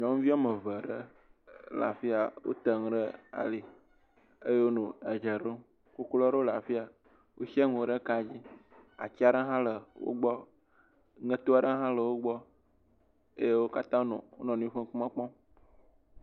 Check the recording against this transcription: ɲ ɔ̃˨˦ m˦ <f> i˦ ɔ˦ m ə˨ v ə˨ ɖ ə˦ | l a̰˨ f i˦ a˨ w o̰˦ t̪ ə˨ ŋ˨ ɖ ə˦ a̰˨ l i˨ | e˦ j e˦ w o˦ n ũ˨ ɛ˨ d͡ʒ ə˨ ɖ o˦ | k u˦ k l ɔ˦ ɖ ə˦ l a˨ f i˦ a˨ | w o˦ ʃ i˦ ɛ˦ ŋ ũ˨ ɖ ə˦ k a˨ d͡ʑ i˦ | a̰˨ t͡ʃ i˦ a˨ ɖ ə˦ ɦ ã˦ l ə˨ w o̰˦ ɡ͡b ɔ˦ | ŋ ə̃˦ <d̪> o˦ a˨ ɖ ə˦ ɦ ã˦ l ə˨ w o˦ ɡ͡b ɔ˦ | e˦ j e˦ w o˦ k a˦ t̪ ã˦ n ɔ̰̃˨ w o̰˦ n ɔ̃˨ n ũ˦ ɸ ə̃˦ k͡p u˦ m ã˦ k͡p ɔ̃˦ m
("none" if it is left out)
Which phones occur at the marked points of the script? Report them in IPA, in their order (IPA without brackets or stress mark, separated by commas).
v, t̪